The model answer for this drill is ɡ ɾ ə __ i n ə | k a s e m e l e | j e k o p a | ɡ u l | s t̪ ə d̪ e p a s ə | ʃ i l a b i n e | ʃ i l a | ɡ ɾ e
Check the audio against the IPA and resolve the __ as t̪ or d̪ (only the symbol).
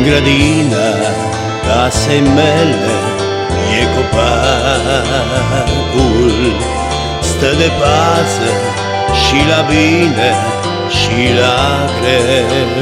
d̪